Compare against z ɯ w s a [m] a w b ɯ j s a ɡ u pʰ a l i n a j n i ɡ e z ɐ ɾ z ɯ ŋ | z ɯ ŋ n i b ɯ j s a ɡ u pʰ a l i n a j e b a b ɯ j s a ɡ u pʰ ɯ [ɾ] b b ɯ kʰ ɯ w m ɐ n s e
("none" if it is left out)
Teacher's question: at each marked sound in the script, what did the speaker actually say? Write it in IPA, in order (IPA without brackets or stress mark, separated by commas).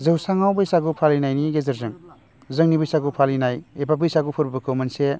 ŋ, ɾ